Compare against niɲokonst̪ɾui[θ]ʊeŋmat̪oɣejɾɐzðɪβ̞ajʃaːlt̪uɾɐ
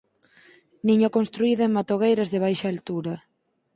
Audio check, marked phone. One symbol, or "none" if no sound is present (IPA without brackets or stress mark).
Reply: ð